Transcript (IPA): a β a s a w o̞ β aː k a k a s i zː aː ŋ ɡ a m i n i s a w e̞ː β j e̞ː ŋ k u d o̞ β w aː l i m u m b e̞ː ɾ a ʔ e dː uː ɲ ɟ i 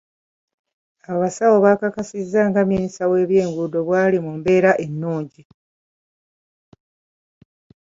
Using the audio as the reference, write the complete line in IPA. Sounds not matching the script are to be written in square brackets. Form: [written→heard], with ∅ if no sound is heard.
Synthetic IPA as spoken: a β a s a w o̞ β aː k a k a s i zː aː ŋ ɡ a m i n i s a w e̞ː β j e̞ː ŋ [k→ɡ] u d o̞ β w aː l i m u m b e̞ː ɾ a ʔ e [dː→nː] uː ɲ ɟ i